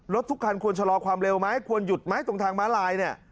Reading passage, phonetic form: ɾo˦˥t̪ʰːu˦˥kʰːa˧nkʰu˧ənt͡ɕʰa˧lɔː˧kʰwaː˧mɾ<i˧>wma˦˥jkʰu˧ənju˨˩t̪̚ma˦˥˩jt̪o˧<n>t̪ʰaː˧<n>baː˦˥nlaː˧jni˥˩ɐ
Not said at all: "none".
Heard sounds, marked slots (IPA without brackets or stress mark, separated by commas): e˧, ŋ, ŋ